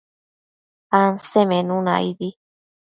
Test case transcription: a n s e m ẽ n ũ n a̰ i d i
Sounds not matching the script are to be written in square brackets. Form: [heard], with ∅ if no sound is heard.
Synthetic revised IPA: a n s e m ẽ n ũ n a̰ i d i